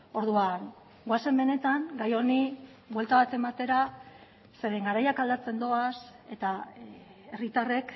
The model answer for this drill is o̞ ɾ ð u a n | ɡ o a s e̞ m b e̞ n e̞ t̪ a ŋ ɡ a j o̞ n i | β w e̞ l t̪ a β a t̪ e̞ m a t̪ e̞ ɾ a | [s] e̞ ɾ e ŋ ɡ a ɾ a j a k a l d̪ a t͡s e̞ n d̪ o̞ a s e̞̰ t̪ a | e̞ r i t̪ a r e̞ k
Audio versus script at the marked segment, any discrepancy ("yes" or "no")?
no